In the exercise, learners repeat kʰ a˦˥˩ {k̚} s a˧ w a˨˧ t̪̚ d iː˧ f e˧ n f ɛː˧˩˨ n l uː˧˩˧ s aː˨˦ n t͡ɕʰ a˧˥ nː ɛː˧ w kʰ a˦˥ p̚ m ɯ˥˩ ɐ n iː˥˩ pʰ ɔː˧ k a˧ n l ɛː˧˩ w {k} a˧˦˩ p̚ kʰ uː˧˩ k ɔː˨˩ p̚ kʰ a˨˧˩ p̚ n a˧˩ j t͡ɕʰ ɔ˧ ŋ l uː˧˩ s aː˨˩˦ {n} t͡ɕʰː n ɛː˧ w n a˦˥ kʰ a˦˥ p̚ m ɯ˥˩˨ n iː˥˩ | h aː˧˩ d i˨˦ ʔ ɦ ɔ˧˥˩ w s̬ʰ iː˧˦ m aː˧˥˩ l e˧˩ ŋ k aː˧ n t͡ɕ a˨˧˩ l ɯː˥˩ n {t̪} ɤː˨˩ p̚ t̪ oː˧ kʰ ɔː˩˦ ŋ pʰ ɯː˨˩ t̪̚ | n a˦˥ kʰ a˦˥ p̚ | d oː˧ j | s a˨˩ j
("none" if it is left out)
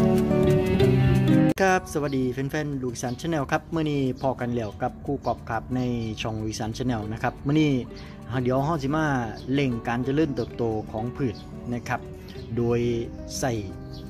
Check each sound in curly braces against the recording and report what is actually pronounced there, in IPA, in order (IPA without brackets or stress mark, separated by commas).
p̚, k, n, t̪